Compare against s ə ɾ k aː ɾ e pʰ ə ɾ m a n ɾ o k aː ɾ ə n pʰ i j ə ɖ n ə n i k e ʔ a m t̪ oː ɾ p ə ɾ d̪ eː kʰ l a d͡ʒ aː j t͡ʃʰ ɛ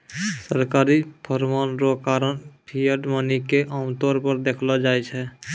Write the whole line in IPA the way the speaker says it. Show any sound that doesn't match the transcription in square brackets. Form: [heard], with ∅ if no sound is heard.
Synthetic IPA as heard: s ə ɾ k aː ɾ [i] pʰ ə ɾ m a n ɾ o k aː ɾ ə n pʰ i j ə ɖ [m] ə n i k e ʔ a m t̪ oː ɾ p ə ɾ d̪ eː kʰ l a d͡ʒ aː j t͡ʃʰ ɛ